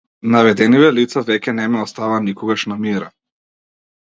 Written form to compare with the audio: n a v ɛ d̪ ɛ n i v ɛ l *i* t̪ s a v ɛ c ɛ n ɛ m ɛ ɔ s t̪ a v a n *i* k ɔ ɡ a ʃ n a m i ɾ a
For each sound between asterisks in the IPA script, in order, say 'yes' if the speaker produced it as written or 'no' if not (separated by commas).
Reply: yes, yes